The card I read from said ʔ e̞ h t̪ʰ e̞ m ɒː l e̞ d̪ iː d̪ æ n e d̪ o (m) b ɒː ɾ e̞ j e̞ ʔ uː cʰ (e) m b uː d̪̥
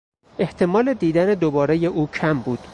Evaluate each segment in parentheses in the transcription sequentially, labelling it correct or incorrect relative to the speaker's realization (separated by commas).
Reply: incorrect, incorrect